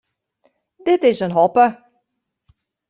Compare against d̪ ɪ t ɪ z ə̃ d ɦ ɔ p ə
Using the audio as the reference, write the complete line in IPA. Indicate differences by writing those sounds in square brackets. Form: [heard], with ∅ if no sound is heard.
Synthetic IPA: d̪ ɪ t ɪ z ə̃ [n] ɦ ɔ p ə